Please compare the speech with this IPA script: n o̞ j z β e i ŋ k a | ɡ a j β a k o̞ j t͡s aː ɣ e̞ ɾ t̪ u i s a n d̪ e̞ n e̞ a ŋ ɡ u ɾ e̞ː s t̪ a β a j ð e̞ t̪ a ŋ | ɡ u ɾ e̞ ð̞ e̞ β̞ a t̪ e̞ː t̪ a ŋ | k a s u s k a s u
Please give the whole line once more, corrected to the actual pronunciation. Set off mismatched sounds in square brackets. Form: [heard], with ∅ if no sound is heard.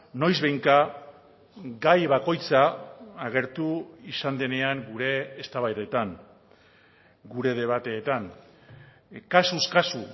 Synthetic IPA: n o̞ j z β e [j] ŋ k a | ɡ a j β a k o̞ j t͡s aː ɣ e̞ ɾ t̪ u i s a n d̪ e̞ n e̞ a ŋ ɡ u ɾ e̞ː s t̪ a β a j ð e̞ t̪ a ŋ | ɡ u ɾ e̞ ð̞ e̞ β̞ a t̪ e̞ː t̪ a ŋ | k a s u s k a s u